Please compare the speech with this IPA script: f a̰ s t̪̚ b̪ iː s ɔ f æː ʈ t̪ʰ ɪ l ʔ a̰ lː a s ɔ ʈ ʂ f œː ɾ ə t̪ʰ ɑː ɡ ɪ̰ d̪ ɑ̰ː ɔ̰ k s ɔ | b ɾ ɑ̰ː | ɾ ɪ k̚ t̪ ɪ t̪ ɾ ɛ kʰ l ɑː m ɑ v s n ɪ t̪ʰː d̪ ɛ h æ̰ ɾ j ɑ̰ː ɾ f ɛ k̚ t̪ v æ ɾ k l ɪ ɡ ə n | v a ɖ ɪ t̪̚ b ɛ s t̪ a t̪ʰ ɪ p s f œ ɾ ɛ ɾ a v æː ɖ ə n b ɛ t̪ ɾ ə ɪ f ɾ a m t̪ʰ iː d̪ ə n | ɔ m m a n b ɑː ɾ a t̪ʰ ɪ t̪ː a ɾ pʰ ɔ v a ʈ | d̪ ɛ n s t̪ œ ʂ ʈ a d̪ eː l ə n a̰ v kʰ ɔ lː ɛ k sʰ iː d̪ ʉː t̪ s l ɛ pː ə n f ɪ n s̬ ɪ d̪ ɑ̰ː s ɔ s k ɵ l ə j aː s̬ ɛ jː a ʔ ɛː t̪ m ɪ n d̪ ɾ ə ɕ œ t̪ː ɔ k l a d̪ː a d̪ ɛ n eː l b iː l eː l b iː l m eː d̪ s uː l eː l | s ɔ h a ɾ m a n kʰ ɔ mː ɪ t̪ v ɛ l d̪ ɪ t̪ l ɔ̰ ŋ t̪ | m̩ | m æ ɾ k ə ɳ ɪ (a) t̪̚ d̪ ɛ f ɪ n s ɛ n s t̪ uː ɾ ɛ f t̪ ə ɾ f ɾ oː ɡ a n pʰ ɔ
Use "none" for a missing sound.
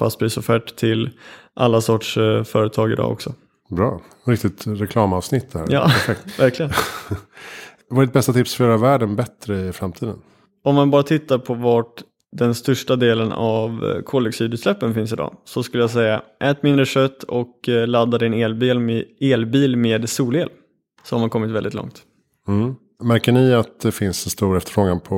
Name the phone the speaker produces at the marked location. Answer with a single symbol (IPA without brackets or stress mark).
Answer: a